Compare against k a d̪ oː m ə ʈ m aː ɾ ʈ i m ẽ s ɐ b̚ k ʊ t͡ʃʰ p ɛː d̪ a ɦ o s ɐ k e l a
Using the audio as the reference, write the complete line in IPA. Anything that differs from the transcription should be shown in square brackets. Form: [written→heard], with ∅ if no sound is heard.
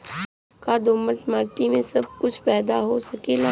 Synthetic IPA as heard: k a d̪ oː m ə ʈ m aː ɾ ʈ i m ẽ s ɐ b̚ k ʊ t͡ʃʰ p ɛː d̪ a ɦ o s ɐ k e l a